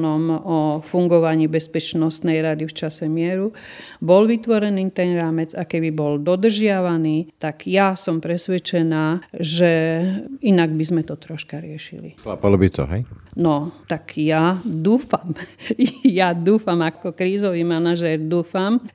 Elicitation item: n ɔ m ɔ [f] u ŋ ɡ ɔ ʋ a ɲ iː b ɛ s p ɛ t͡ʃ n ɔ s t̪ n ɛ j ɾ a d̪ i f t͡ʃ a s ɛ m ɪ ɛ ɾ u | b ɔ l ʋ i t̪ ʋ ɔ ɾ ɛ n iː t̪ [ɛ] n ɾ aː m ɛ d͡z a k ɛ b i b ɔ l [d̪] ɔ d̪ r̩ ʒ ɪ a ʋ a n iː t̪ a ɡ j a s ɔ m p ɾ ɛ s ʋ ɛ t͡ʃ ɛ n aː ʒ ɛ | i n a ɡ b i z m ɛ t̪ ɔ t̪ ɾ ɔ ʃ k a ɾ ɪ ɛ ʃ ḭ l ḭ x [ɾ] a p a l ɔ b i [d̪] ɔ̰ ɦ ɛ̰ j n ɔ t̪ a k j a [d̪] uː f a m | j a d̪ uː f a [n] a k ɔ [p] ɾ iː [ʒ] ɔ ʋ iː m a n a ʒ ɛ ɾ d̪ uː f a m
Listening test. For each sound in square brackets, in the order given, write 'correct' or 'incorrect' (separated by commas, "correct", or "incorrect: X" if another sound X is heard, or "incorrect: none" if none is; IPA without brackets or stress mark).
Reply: correct, correct, correct, incorrect: l, incorrect: t̪, correct, incorrect: m, incorrect: k, incorrect: z